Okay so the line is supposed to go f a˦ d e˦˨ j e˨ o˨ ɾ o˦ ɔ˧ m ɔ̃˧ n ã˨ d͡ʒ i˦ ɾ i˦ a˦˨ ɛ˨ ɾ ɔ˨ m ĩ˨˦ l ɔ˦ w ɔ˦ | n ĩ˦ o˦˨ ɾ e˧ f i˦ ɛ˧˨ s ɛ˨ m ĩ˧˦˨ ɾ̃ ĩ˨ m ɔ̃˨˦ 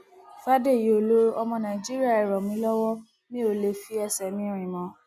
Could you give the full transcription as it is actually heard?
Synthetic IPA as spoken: f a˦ d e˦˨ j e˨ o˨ l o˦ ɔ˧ m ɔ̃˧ n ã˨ d͡ʒ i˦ ɾ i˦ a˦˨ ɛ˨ ɾ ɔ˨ m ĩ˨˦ l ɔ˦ w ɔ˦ | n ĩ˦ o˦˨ l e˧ f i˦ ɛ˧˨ s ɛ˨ m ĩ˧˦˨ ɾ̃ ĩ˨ m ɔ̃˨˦